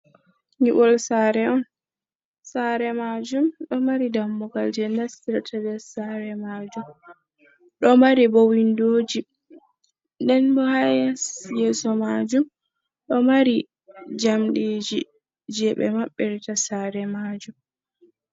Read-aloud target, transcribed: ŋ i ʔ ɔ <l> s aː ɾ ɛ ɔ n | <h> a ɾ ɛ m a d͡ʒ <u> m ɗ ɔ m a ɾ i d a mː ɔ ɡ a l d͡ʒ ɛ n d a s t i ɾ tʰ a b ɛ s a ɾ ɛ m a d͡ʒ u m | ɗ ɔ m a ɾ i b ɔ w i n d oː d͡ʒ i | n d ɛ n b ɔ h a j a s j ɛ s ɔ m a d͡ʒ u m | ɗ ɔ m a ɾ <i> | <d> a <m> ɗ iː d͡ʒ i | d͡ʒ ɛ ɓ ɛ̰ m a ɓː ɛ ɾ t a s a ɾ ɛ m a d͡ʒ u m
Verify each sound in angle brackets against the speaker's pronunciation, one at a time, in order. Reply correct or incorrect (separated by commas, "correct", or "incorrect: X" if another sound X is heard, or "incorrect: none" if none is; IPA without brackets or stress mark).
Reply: correct, incorrect: s, correct, correct, incorrect: d͡ʒ, correct